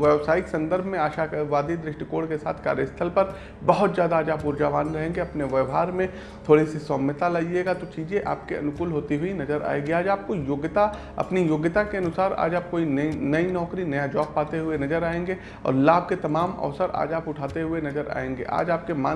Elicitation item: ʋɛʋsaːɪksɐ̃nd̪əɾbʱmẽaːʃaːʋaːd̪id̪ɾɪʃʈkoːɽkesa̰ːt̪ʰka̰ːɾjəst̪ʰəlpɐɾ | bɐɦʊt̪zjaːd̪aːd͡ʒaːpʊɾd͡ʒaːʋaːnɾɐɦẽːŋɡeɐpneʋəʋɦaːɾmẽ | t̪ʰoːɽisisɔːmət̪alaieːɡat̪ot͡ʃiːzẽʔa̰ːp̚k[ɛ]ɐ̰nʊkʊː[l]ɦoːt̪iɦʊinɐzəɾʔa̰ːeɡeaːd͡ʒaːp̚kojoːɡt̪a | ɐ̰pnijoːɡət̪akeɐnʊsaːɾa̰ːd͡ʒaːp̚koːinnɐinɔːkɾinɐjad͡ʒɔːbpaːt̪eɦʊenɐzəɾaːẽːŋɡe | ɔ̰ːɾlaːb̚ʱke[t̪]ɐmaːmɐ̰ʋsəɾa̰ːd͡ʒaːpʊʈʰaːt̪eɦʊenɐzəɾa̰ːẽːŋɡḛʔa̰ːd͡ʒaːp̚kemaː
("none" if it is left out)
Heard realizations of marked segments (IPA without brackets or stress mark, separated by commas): e, l, t̪